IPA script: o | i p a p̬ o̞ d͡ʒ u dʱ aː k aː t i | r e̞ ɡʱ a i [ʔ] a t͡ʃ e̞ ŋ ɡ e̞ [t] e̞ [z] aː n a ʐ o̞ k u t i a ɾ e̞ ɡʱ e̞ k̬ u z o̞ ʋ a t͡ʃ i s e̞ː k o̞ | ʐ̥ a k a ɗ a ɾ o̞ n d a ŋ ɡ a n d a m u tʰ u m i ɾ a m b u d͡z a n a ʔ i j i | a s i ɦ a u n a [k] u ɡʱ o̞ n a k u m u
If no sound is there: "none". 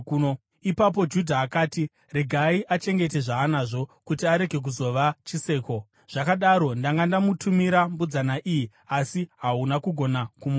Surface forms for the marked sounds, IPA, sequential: ʔ, t, ʐ, k

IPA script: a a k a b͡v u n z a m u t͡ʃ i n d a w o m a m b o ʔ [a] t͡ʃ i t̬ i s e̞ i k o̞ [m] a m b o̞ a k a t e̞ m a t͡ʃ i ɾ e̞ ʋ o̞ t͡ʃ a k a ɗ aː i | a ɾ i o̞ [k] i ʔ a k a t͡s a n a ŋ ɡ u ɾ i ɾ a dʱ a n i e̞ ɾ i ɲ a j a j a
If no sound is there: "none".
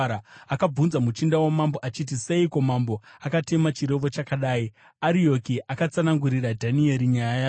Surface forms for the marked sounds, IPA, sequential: a, m, k

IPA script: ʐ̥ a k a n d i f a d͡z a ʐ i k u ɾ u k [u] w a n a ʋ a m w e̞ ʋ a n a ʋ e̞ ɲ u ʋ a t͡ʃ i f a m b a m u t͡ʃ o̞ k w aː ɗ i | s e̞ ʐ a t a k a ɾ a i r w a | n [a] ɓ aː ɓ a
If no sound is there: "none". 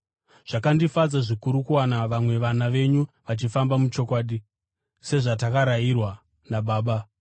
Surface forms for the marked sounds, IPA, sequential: u, a

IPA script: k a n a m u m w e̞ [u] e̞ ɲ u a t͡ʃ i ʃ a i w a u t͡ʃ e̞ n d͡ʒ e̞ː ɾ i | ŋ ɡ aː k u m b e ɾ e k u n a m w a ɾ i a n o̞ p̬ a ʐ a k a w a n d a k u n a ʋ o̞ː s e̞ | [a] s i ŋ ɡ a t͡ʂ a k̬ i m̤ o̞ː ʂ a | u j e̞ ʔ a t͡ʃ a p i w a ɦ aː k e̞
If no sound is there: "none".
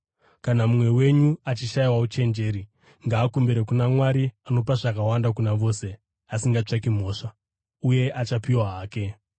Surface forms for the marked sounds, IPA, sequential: w, a

